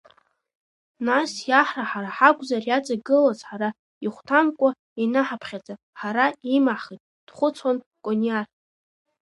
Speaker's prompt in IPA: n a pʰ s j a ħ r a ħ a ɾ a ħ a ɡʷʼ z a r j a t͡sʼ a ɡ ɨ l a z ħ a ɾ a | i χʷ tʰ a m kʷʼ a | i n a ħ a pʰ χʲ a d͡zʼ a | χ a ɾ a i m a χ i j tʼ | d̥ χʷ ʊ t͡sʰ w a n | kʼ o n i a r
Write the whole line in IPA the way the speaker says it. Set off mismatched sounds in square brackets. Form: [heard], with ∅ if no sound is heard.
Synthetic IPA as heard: n a [∅] s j a ħ r a ħ a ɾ a ħ a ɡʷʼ z a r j a t͡sʼ a ɡ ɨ l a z ħ a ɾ a | i χʷ tʰ a m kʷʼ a | i n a ħ a pʰ χʲ a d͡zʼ a | [ħ] a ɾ a i m a χ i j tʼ | d̥ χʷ ʊ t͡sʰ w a n | kʼ o n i a r